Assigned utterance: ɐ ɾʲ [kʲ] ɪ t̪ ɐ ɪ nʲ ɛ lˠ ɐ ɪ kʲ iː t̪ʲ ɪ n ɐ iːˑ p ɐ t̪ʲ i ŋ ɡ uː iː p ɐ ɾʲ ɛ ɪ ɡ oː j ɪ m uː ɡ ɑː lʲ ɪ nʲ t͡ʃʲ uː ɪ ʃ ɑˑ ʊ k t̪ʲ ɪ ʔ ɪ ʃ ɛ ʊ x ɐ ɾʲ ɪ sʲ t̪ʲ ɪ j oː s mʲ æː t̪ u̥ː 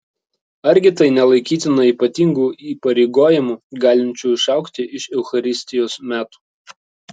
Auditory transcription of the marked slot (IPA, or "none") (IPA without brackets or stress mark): ɡʲ